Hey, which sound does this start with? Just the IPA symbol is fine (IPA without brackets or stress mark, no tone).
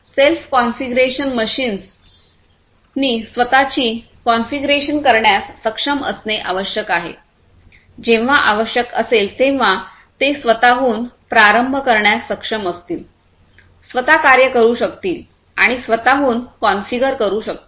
s